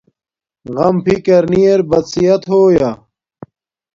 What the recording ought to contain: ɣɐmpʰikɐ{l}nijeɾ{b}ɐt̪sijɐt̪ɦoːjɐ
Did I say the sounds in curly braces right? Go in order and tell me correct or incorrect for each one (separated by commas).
incorrect, correct